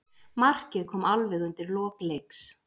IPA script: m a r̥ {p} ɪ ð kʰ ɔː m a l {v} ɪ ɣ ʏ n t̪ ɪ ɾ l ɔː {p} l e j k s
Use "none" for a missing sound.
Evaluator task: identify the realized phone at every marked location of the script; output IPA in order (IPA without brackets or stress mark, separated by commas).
c, v, k